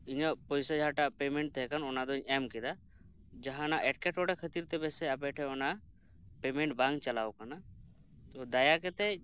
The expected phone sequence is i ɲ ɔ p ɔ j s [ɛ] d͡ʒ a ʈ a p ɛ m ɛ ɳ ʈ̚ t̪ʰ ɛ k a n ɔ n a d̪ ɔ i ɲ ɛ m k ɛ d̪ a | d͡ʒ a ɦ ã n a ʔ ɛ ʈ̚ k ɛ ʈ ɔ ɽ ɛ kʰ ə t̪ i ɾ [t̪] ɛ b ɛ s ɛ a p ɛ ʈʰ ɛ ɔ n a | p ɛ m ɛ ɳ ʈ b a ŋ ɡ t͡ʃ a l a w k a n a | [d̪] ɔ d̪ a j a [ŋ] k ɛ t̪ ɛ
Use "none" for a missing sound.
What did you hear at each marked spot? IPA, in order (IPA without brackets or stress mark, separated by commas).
a, t̪, t̪, none